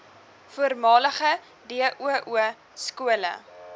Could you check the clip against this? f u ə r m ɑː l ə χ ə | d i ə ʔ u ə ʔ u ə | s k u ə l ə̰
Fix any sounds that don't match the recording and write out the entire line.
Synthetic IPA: f u ə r m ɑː l ə χ ə | d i ə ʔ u ə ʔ u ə | s k u ə l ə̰